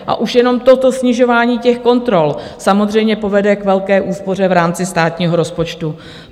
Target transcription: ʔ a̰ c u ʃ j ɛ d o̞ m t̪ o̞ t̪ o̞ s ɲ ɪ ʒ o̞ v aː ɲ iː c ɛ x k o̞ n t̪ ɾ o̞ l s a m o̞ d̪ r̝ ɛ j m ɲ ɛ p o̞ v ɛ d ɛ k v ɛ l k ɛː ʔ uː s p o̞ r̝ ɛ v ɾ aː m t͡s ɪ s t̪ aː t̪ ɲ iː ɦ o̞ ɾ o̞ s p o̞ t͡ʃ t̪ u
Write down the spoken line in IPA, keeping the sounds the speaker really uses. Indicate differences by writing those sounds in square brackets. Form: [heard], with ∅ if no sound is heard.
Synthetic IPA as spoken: ʔ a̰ [ʔ] u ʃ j ɛ [n] o̞ m t̪ o̞ t̪ o̞ s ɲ ɪ ʒ o̞ v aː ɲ iː c ɛ x k o̞ n t̪ ɾ o̞ l s a m o̞ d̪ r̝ ɛ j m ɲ ɛ p o̞ v ɛ d ɛ k v ɛ l k ɛː ʔ uː s p o̞ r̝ ɛ v ɾ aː m t͡s ɪ s t̪ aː t̪ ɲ iː ɦ o̞ ɾ o̞ s p o̞ t͡ʃ t̪ u